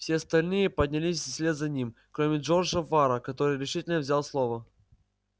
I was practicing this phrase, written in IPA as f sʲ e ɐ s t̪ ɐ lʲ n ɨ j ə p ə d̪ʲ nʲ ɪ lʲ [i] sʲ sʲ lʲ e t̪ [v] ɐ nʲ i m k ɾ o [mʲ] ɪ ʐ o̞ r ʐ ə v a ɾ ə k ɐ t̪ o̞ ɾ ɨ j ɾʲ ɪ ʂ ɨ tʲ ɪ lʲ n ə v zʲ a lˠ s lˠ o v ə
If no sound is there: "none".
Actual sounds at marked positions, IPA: i, z, mʲ

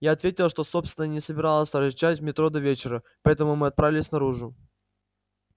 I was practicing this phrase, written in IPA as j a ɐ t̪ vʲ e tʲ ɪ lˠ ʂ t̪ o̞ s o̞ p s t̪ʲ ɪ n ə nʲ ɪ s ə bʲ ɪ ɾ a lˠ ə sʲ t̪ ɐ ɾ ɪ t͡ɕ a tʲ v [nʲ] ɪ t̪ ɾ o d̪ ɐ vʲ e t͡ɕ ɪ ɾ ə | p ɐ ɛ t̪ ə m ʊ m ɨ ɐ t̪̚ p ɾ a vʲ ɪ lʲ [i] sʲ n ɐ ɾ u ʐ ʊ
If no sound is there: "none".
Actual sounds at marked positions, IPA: mʲ, ɪ

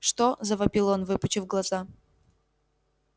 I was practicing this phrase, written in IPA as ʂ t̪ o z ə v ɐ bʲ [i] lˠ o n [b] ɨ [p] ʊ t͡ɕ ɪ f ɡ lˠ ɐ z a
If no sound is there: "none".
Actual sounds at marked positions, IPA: i, v, p

